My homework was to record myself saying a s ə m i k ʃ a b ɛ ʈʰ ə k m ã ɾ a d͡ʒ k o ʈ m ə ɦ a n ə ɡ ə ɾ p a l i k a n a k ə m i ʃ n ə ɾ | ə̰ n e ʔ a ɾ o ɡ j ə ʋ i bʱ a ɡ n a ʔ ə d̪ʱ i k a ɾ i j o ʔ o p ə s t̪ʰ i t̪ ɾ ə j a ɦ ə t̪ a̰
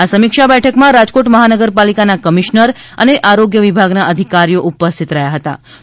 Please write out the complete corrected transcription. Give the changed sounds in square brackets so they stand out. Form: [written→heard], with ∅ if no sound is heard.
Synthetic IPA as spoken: a s ə m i k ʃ a b ɛ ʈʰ ə k m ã ɾ a d͡ʒ k o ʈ m ə ɦ a n ə ɡ ə ɾ p a l i k a n a k ə m i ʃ n ə ɾ | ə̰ n e ʔ a ɾ o ɡ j ə ʋ i bʱ a ɡ n a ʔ ə d̪ʱ i k a ɾ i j o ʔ [o→u] p ə s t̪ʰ i t̪ ɾ ə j a ɦ ə t̪ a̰